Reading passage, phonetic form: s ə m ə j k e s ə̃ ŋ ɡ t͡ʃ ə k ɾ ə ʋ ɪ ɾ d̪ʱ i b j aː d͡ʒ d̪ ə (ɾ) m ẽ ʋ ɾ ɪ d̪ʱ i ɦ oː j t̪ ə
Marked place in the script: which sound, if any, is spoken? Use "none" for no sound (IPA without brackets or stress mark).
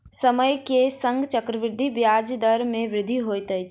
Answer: ɾ